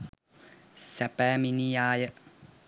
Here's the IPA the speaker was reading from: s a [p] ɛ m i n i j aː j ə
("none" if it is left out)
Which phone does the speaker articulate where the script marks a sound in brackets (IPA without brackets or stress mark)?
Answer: p